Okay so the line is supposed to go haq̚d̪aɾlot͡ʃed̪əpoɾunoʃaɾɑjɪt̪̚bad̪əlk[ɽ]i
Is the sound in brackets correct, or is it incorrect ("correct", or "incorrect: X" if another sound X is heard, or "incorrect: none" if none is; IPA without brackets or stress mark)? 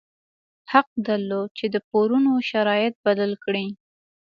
correct